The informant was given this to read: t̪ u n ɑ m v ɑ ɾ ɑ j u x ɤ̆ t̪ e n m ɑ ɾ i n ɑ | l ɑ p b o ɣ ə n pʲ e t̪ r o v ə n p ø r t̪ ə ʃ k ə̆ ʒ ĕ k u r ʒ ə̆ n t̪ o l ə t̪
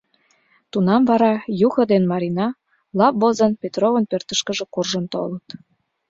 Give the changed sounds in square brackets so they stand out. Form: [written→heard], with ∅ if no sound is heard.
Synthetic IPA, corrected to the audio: t̪ u n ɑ m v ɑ ɾ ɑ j u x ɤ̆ [t̪→d̪] e n m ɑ ɾ i n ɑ | l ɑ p b o [ɣ→z] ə n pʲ e t̪ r o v ə n p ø r t̪ ə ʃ k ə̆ ʒ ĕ k u r ʒ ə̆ n t̪ o l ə t̪